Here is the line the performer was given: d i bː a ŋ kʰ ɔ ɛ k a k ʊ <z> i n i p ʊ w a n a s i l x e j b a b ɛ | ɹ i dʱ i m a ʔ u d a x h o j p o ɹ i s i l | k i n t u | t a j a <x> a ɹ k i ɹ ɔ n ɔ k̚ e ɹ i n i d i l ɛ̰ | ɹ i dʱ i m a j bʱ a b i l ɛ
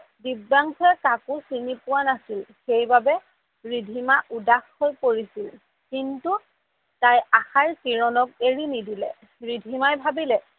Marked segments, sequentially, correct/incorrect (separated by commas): incorrect, correct